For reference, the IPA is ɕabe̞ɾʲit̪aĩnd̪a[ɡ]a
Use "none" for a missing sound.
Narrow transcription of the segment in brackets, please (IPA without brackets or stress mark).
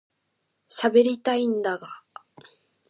ɡ